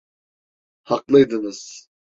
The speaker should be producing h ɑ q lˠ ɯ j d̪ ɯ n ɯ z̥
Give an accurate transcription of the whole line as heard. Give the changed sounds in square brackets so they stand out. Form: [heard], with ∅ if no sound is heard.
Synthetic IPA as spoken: h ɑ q lˠ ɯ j d̪ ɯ n ɯ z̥